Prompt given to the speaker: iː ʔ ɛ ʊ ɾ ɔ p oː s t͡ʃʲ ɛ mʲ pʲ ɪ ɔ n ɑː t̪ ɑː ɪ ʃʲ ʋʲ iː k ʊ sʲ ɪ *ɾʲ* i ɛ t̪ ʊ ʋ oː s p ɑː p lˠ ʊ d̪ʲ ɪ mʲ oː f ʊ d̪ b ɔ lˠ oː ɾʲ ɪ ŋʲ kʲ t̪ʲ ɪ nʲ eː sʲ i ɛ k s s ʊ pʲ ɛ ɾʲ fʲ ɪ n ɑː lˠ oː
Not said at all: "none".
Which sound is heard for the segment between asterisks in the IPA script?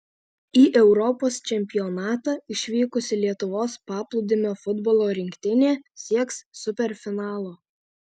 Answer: lʲ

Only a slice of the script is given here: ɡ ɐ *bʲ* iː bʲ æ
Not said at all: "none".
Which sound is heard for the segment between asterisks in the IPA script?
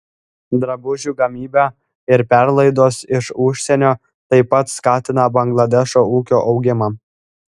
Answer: mʲ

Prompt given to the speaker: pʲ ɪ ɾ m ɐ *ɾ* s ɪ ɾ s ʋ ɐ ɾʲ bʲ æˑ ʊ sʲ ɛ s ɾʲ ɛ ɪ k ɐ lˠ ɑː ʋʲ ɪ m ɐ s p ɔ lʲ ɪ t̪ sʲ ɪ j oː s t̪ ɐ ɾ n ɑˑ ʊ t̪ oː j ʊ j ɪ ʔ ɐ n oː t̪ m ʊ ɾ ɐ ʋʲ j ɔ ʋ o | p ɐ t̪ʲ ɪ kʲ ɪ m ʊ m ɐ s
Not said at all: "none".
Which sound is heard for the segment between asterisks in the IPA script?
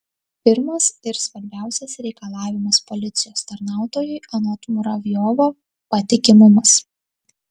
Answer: none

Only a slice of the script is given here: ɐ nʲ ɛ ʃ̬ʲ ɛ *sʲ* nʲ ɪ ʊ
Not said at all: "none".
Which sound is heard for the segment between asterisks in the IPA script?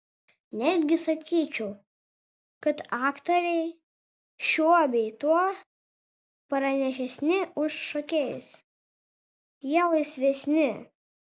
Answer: sʲ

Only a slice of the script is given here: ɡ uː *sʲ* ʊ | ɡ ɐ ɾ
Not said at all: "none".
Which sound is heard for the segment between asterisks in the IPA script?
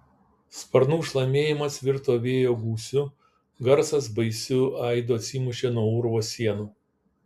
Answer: sʲ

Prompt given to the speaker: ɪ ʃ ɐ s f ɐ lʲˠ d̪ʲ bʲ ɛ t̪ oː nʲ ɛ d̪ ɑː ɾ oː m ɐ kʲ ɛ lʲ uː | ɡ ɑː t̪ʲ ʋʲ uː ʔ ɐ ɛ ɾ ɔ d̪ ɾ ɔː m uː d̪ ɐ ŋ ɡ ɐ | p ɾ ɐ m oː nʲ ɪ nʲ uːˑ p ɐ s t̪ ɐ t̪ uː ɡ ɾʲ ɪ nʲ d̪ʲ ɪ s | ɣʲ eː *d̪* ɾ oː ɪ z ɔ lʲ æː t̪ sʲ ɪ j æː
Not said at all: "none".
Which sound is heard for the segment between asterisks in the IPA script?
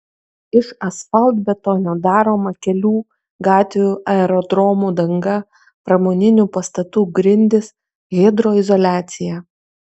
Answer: d̪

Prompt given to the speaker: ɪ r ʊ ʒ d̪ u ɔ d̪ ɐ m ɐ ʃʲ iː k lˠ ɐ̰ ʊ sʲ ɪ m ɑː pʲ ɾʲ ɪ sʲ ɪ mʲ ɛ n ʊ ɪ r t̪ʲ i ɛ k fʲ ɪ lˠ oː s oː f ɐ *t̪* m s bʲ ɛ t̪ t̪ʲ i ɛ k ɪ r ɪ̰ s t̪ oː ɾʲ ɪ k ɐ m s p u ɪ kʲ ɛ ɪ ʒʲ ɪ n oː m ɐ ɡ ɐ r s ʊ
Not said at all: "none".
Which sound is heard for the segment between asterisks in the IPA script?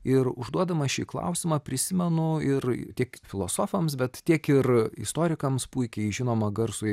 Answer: none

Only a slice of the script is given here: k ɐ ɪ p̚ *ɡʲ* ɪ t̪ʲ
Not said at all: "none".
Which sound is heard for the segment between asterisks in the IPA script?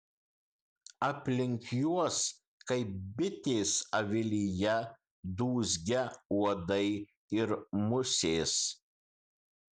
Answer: bʲ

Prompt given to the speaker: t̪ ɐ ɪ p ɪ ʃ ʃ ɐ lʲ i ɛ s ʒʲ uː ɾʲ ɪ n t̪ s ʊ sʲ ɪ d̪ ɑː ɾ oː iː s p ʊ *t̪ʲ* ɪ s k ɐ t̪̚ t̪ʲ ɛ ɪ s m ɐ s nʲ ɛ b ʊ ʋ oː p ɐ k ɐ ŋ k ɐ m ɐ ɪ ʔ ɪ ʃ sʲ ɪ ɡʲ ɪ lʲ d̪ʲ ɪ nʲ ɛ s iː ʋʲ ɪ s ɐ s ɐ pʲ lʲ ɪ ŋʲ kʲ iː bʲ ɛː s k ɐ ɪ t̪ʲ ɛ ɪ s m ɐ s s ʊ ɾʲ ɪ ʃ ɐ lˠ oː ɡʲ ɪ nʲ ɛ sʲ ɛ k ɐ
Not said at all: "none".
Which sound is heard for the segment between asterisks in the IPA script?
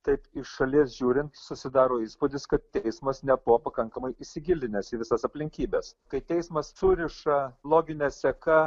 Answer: d̪ʲ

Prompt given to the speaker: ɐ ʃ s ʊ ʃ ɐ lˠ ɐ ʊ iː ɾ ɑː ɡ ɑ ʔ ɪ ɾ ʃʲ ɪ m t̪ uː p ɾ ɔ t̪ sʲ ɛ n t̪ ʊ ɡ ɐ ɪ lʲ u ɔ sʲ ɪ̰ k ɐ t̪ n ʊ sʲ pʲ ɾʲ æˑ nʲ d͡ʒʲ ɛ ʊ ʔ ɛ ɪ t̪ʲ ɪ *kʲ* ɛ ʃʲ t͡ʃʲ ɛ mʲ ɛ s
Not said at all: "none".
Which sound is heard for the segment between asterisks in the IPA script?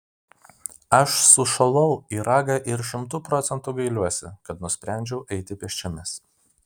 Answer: pʲ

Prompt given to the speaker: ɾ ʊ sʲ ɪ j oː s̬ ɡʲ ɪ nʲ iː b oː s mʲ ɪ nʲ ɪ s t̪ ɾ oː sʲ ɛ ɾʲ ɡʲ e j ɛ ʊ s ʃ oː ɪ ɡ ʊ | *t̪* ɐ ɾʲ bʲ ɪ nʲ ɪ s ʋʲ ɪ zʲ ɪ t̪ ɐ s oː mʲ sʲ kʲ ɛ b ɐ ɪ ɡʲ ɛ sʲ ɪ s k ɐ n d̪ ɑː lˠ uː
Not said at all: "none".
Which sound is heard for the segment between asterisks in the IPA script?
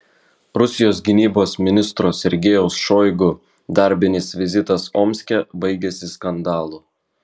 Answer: d̪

